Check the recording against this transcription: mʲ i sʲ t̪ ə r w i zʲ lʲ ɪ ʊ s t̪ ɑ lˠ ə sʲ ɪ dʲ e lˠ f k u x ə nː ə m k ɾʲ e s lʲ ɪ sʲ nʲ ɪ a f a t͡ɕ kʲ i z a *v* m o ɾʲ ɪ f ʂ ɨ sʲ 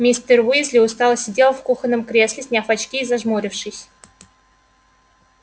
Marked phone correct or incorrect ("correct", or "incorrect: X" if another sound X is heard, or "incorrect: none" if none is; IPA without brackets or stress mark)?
incorrect: ʐ